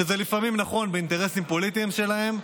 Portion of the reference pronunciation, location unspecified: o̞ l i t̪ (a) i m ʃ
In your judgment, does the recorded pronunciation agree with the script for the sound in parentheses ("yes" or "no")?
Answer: no